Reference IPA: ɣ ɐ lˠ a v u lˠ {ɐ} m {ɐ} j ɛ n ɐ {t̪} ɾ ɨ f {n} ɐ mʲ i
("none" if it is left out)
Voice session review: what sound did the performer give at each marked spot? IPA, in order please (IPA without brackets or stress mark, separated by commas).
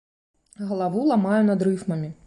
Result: a, a, d̪, m